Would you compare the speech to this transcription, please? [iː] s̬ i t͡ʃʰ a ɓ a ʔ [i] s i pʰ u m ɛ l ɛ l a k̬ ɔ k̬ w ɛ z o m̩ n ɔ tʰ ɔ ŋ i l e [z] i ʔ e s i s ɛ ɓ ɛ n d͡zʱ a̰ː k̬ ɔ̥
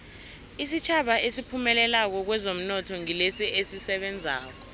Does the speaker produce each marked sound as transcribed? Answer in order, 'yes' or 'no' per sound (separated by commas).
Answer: no, no, no